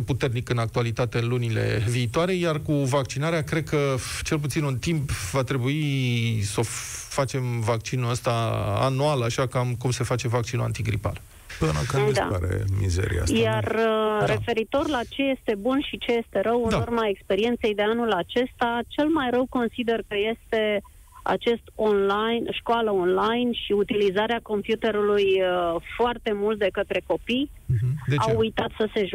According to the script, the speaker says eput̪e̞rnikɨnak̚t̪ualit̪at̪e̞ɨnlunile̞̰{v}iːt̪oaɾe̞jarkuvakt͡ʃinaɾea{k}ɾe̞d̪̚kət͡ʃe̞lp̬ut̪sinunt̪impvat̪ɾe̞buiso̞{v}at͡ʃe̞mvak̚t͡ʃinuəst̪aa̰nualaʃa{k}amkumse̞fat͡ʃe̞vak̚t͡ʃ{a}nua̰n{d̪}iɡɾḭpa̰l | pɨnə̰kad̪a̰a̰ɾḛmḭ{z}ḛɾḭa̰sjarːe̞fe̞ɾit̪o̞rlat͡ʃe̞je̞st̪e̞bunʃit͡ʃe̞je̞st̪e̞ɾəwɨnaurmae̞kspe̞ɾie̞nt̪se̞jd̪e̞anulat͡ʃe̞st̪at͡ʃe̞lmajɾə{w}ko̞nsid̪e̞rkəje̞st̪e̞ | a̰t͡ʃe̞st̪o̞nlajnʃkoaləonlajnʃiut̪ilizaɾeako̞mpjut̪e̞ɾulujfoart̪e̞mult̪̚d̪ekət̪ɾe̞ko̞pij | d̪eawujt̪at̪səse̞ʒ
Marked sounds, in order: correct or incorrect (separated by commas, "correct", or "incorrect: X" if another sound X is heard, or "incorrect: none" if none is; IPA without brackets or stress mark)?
correct, correct, incorrect: f, correct, incorrect: i, incorrect: t̪, correct, correct